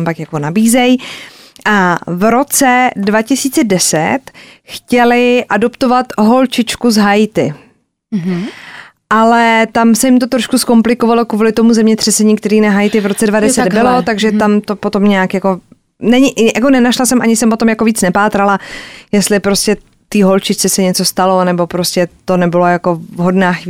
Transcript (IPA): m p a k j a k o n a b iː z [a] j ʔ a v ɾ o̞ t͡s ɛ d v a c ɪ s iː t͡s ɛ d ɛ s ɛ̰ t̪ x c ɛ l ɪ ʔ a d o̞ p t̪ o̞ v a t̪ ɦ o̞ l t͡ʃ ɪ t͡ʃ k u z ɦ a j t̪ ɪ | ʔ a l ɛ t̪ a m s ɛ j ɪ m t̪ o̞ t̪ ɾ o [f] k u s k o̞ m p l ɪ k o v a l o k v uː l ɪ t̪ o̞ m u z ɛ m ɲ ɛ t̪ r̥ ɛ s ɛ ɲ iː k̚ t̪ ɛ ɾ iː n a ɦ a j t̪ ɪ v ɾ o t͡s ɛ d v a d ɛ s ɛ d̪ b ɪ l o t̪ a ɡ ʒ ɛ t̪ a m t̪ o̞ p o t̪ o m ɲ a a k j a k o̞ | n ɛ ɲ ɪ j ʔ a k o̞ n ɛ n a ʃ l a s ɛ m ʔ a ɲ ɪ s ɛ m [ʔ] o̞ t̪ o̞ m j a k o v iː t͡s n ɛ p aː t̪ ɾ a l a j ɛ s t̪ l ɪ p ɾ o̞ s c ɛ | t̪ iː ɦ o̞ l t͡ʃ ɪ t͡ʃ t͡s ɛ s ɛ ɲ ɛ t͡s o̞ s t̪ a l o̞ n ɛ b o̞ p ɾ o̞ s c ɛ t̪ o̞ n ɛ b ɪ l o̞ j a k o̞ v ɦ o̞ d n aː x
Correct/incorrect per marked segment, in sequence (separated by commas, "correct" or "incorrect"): incorrect, incorrect, incorrect